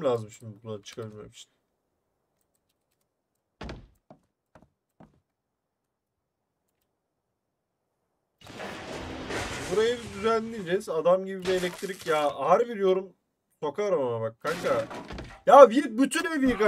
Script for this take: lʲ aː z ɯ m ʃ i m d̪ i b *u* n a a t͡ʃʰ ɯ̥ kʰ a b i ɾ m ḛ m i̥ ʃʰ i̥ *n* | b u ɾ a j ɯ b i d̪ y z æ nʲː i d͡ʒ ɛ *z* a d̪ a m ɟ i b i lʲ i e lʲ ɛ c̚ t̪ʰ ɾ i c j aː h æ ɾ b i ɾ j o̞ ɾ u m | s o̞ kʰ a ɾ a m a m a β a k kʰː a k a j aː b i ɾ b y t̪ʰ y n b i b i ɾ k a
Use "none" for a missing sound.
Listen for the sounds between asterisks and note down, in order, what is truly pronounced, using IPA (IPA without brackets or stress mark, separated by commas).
u, n, z